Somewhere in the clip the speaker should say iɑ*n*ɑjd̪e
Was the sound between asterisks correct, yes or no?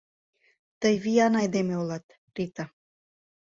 yes